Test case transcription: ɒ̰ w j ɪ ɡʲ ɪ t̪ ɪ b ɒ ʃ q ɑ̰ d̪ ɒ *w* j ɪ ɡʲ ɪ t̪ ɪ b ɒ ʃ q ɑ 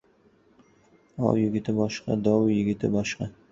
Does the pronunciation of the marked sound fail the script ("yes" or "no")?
no